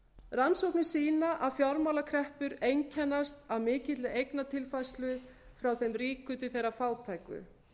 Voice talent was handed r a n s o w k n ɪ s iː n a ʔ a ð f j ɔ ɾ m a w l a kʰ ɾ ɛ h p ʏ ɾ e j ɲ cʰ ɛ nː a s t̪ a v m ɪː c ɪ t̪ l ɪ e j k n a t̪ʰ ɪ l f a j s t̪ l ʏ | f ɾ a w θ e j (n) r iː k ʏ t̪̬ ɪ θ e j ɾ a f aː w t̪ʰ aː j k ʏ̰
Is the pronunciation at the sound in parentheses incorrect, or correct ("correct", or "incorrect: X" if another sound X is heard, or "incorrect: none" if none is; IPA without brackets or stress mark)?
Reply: incorrect: m